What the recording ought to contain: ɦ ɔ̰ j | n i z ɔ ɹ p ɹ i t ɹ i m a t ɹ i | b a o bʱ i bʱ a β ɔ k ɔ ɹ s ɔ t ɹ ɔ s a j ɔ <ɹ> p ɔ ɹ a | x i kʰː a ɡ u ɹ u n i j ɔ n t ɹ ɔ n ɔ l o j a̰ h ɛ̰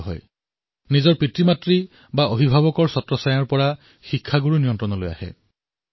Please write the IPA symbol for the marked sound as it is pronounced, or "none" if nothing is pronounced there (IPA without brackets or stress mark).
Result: ɹ